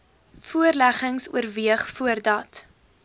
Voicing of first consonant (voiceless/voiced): voiceless